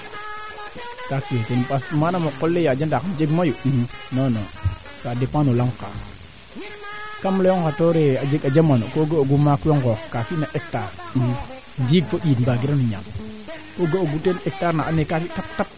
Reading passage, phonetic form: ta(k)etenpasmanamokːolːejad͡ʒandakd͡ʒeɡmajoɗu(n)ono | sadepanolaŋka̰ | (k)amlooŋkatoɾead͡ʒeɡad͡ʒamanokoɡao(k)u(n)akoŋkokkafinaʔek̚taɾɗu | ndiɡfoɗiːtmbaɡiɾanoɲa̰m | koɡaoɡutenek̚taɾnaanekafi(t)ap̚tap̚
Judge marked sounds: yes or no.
yes, yes, yes, no, no, yes

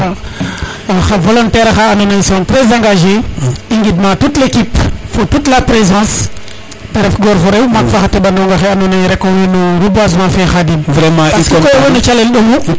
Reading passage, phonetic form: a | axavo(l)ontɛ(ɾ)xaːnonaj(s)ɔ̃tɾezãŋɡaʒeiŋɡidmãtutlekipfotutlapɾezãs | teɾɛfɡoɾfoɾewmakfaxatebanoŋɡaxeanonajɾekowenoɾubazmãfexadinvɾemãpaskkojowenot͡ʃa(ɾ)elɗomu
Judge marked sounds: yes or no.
yes, yes, yes, no

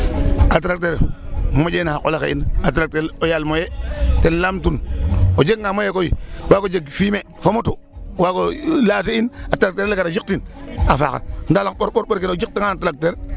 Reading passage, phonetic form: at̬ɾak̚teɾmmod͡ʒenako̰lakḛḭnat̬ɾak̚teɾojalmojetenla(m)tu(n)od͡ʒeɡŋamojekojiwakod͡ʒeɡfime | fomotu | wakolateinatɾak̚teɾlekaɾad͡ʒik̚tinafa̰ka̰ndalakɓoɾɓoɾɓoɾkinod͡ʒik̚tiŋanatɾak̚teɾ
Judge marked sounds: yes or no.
yes, yes

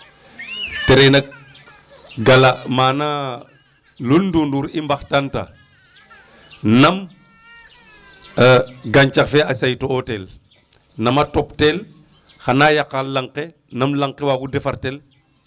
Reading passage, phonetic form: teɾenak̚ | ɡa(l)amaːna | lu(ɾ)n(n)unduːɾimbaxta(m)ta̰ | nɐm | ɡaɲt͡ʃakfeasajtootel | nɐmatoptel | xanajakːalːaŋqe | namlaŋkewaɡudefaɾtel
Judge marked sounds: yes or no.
yes, no, no, no

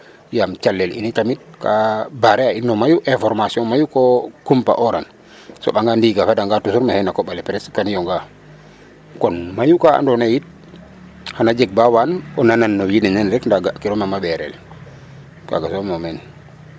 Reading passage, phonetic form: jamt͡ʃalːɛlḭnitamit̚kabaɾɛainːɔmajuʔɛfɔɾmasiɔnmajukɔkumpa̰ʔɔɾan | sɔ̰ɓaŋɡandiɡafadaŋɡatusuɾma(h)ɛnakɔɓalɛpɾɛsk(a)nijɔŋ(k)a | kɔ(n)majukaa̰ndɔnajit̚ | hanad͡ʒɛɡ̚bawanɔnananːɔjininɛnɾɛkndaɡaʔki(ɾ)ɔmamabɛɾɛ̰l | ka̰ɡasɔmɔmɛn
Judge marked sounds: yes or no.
yes, yes, no, yes, yes

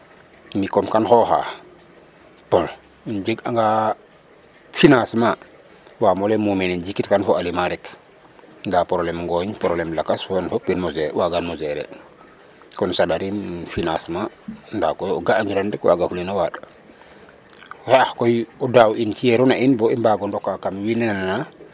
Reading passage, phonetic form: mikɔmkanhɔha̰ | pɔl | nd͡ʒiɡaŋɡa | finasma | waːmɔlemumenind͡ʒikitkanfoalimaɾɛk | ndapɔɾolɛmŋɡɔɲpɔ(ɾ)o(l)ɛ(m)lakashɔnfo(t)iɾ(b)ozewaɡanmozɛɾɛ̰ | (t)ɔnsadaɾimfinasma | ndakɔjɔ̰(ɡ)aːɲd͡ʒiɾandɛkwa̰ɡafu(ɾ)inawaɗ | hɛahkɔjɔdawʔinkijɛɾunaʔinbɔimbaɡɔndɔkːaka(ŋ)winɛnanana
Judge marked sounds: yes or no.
yes, yes, yes, no, no, no, yes, no, no

